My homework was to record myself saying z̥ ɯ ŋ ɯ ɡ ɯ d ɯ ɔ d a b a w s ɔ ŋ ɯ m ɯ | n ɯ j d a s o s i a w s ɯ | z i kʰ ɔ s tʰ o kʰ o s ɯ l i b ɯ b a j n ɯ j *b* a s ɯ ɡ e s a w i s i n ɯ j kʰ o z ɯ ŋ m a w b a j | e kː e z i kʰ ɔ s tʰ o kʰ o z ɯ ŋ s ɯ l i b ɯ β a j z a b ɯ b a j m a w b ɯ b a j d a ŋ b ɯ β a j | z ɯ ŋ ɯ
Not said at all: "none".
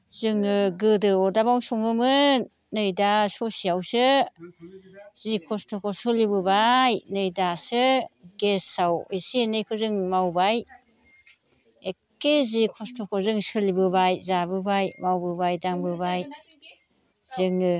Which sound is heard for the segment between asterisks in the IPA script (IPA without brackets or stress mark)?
d